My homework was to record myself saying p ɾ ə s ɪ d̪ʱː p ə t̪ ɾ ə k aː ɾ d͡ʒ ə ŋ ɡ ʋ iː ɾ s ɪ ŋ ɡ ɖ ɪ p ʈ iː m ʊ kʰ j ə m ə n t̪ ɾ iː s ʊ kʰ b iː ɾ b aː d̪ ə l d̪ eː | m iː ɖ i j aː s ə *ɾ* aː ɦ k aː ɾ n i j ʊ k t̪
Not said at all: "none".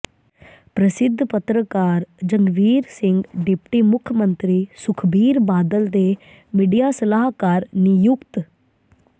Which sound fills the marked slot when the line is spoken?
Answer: l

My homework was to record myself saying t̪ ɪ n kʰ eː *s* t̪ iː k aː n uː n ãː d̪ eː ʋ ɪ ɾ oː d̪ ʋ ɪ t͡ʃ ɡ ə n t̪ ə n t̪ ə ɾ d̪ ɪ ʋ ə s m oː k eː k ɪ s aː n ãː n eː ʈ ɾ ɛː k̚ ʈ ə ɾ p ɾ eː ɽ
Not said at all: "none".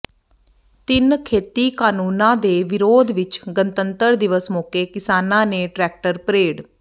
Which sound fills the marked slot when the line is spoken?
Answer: none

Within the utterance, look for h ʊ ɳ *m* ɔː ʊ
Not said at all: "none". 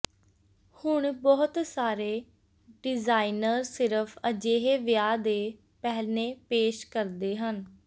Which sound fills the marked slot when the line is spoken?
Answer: b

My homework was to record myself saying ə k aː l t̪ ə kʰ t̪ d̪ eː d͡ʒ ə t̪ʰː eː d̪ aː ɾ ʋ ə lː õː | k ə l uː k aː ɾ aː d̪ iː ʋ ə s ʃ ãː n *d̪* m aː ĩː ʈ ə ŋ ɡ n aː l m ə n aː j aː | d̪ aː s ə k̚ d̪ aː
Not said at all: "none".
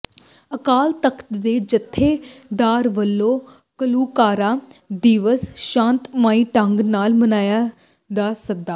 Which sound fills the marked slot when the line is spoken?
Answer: t̪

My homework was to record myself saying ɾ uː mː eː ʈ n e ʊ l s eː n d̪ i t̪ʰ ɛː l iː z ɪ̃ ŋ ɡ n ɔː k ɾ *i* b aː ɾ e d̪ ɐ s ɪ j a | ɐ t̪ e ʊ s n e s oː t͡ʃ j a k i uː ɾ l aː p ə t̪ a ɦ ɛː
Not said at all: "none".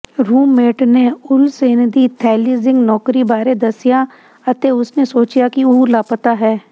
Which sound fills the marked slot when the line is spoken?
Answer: i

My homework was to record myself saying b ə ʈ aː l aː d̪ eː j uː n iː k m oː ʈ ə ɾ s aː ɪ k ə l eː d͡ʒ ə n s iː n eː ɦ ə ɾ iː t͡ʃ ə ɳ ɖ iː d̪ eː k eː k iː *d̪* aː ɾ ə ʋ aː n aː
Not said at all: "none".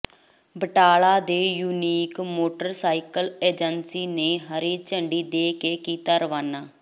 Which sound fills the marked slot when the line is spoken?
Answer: t̪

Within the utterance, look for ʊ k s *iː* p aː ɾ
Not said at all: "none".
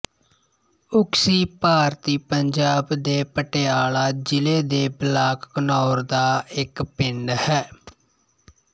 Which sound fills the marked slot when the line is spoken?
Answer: iː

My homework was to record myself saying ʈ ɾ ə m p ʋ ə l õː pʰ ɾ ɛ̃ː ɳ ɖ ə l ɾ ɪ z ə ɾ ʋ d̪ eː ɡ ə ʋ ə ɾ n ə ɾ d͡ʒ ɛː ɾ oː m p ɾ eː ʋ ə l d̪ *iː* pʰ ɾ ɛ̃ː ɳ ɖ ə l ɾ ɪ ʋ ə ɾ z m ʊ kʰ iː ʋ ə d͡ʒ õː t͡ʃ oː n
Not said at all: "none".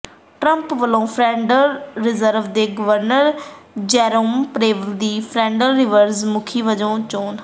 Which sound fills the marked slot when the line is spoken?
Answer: iː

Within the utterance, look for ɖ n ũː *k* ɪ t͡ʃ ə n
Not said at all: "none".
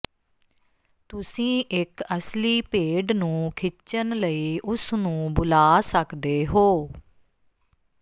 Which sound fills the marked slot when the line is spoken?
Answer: kʰ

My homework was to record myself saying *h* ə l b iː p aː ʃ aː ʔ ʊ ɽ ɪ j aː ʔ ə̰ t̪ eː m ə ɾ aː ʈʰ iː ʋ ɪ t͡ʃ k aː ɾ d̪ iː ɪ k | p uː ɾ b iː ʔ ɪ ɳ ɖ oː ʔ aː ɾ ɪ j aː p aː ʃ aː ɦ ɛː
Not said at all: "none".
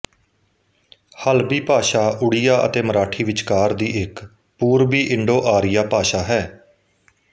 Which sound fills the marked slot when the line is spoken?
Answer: h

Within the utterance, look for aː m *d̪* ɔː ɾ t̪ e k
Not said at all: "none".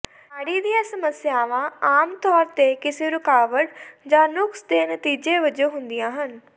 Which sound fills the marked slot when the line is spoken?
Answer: t̪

